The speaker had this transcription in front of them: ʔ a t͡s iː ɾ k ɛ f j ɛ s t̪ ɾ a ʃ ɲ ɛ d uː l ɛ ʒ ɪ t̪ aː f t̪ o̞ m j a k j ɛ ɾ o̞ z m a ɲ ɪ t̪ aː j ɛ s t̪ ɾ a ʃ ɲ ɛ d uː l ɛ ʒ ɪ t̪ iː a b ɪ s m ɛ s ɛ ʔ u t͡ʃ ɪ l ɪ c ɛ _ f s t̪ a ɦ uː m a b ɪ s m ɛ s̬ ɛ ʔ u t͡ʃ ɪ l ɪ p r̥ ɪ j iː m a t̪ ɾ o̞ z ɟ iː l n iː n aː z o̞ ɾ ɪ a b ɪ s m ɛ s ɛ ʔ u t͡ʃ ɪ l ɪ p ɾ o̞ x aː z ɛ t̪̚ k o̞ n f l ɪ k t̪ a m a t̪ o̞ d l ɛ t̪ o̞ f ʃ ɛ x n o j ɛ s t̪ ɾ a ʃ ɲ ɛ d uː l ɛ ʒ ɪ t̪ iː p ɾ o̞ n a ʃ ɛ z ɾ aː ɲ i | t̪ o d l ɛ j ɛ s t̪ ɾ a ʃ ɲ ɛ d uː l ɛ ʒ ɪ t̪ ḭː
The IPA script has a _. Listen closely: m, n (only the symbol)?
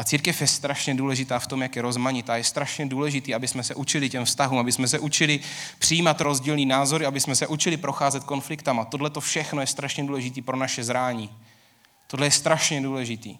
m